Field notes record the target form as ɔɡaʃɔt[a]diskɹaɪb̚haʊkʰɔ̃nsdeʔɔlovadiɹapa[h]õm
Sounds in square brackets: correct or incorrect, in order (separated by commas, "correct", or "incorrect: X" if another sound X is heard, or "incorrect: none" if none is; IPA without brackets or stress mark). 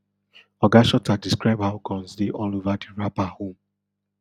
correct, correct